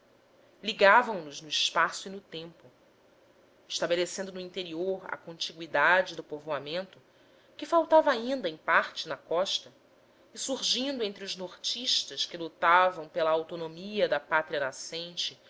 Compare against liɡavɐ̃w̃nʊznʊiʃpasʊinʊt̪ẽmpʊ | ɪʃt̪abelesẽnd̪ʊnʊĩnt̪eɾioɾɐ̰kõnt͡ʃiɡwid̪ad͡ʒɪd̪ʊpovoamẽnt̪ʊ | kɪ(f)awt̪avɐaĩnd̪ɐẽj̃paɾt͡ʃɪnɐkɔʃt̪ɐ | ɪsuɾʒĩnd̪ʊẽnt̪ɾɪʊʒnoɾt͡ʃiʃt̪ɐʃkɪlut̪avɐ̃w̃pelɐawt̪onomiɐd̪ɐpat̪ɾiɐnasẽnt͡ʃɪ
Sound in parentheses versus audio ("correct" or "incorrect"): correct